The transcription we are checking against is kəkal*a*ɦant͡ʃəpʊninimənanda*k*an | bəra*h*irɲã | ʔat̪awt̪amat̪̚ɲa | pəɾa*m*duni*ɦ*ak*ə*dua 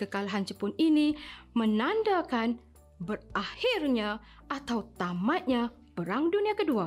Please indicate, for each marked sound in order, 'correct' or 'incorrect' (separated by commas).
correct, correct, correct, incorrect, incorrect, correct